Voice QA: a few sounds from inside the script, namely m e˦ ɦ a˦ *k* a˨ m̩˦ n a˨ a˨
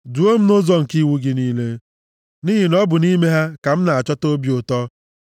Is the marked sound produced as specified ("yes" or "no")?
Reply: yes